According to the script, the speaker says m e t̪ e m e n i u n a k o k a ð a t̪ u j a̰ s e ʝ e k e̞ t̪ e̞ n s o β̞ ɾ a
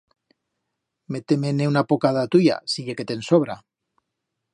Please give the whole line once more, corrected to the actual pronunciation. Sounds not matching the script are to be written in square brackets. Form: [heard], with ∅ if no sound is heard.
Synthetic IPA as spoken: m e t̪ e m e n [e] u n a [p] o k a ð a t̪ u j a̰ s [i] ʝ e k e̞ t̪ e̞ n s o β̞ ɾ a